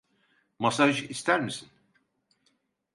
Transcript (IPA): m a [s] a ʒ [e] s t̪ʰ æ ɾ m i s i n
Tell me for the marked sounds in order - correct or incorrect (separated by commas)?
correct, incorrect